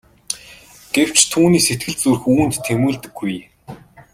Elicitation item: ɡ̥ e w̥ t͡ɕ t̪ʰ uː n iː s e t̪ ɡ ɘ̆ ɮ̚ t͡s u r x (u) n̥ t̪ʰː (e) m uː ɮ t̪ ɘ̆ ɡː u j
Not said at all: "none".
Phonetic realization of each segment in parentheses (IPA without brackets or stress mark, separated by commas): uː, e